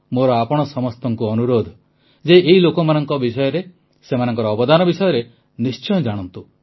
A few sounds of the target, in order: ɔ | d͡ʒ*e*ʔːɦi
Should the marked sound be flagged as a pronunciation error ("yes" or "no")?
no